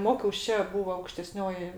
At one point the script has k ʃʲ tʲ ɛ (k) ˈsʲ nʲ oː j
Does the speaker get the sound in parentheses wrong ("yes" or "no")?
yes